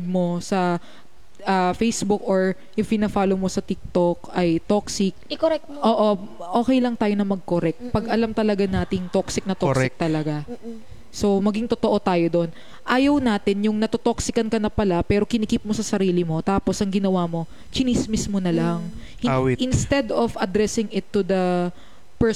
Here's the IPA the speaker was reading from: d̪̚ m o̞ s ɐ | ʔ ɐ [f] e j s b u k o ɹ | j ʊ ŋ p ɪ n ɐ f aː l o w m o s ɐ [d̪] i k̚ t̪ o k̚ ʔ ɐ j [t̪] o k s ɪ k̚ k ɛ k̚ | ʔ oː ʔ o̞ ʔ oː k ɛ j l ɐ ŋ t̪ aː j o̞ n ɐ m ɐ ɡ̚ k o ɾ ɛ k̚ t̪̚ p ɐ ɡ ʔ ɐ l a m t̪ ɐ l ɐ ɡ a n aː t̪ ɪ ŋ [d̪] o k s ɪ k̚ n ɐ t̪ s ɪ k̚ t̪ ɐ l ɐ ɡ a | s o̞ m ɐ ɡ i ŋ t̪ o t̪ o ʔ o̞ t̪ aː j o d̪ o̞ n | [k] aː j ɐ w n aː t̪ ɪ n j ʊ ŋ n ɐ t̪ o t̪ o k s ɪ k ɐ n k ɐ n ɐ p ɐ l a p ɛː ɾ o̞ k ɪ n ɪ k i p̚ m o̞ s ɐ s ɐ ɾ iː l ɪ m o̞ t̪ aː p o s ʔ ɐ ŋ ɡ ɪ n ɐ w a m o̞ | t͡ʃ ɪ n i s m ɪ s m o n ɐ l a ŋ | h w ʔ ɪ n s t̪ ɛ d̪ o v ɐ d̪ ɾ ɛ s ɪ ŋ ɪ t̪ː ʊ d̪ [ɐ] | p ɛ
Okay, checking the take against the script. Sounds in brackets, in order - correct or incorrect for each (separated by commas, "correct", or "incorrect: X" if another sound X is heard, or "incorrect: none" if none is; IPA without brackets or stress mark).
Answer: correct, incorrect: t̪, correct, incorrect: t̪, incorrect: ʔ, correct